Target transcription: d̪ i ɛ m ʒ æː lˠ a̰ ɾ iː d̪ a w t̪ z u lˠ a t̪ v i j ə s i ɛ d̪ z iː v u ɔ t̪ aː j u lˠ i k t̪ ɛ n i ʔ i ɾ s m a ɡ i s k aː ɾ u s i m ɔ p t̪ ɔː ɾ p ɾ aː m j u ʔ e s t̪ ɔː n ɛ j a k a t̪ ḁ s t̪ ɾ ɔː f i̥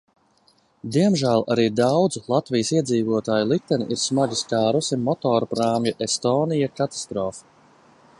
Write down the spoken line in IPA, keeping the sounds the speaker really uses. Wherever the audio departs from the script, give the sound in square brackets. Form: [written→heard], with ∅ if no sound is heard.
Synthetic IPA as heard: d̪ i ɛ m ʒ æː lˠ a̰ ɾ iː d̪ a w [t̪→d̪] z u lˠ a t̪ v i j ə s i ɛ d̪ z iː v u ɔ t̪ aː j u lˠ i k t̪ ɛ n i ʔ i ɾ s m a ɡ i s k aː ɾ u s i m ɔ [p→∅] t̪ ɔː ɾ p ɾ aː m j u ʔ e s t̪ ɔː n [ɛ→i] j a k a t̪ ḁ s t̪ ɾ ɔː f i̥